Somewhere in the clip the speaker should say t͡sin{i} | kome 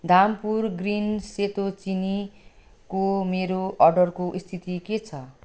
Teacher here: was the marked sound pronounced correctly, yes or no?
yes